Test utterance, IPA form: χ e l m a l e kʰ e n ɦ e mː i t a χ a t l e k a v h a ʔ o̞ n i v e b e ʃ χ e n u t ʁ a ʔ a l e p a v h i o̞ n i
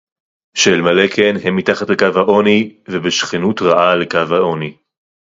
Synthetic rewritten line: ʃ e l m a l e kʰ e n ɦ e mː i t a χ a t l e k a v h a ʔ o̞ n i v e b e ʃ χ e n u t ʁ a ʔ a l e k a v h a o̞ n i